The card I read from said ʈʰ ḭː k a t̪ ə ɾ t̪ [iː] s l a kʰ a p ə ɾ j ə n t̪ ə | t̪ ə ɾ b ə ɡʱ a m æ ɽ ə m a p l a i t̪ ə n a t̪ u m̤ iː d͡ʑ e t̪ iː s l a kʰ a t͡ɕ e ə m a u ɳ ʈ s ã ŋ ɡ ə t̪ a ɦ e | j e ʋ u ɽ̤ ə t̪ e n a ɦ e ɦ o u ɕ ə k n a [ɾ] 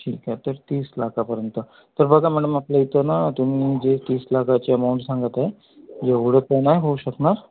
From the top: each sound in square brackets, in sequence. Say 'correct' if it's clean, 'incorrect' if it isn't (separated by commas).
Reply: correct, correct